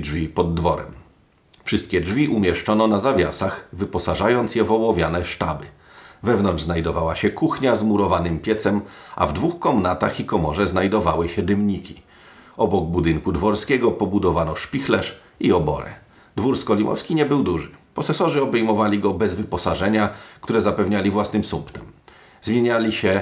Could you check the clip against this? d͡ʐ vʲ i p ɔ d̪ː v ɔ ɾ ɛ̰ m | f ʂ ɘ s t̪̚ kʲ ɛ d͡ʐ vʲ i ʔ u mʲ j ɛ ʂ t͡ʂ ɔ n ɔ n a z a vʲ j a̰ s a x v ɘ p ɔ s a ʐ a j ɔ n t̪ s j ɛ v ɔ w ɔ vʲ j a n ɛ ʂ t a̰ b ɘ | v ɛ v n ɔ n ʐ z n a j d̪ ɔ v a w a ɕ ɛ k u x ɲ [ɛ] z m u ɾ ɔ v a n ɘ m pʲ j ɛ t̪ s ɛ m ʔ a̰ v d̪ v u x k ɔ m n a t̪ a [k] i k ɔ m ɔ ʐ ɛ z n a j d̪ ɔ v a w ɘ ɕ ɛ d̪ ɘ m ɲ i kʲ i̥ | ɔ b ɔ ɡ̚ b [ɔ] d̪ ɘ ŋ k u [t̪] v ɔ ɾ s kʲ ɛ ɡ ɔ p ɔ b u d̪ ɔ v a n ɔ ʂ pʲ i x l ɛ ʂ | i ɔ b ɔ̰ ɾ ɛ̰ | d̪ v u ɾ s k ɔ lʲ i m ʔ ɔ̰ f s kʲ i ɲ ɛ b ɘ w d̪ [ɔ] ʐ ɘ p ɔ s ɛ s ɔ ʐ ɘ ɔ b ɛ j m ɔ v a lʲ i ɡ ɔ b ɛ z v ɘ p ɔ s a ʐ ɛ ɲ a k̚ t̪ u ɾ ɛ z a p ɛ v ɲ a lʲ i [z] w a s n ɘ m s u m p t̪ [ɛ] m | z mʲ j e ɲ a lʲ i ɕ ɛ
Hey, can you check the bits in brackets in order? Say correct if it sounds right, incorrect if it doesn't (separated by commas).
incorrect, incorrect, incorrect, incorrect, incorrect, incorrect, correct